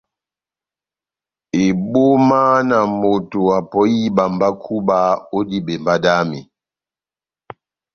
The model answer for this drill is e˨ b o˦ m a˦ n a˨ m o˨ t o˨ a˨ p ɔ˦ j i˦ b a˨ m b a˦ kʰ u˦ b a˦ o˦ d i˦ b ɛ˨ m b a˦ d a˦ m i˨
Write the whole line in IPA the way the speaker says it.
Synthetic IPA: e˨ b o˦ m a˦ n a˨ m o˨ t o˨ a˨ p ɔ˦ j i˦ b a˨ m b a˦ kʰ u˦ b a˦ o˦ d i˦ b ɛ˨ m b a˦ d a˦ m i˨